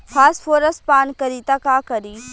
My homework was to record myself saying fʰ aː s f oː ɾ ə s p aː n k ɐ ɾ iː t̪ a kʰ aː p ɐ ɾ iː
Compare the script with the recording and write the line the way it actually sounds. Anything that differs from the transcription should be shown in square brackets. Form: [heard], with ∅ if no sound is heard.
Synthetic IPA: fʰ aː s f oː ɾ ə s p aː n k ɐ ɾ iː t̪ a [k] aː [k] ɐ ɾ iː